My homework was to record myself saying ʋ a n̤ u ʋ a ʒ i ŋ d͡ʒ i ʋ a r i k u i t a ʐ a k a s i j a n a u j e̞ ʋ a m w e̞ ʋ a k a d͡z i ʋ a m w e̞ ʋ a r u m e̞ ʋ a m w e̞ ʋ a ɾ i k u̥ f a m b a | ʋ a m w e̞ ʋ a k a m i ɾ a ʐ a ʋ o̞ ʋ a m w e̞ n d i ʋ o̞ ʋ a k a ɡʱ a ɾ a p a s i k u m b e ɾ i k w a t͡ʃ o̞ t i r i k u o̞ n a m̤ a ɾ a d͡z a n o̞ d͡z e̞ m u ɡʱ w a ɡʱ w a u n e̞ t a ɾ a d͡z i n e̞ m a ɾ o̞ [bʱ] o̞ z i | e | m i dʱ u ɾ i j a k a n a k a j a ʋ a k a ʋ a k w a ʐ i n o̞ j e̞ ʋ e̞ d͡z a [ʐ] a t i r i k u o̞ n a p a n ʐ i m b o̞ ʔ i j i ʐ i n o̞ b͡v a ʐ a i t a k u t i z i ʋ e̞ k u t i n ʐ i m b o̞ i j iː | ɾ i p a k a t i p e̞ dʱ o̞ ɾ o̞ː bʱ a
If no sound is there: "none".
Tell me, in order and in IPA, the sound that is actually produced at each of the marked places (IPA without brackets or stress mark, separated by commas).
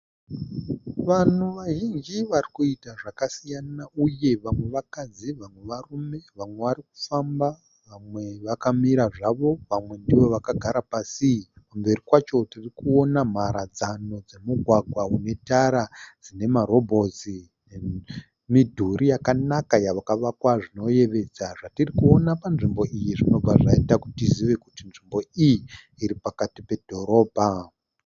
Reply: bʱ, ʐ